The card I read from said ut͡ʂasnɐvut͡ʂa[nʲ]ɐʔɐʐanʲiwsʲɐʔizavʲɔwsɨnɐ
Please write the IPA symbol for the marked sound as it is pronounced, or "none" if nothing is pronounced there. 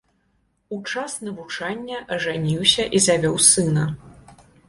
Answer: nʲː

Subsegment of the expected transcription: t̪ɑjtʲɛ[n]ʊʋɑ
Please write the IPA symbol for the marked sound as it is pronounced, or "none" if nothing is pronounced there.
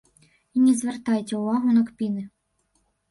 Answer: none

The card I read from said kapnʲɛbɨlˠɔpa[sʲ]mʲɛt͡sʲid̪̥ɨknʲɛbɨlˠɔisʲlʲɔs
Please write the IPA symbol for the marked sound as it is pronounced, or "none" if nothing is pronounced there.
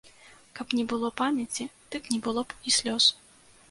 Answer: none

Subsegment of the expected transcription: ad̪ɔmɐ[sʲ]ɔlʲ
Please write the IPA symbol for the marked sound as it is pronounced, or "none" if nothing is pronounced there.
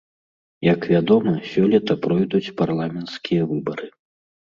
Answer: sʲ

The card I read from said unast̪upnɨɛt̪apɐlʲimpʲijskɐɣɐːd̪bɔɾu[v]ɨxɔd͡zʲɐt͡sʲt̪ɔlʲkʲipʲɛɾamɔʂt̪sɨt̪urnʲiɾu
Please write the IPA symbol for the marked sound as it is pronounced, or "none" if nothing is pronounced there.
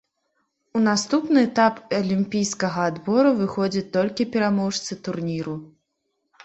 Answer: v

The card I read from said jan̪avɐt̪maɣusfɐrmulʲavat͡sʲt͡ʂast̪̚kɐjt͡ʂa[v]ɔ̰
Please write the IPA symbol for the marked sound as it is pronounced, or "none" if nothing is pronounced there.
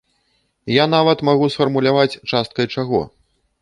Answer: ɣ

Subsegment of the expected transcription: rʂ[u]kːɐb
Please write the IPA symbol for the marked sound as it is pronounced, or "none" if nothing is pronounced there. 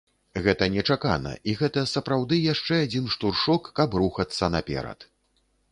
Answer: ɔ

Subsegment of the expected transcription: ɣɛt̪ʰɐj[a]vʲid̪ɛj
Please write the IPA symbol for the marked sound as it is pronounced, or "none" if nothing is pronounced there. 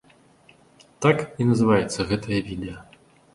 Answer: ɐ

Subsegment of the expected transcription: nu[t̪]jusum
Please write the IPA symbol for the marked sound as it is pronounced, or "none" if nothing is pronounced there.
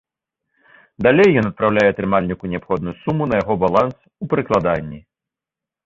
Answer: none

